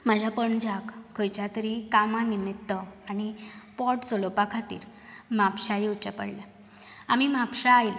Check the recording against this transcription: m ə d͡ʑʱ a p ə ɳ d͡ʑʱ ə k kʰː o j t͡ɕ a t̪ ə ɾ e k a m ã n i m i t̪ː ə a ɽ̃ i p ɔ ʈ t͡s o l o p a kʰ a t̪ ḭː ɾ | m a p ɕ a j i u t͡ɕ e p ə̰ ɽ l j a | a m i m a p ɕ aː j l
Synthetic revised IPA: m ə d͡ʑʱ a p ə ɳ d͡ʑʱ a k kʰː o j t͡ɕ a t̪ ə ɾ i k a m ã n i m i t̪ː ə a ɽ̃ i p ɔ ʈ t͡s o l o p a kʰ a t̪ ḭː ɾ | m a p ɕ a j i u t͡ɕ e p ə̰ ɽ l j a | a m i m a p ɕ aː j l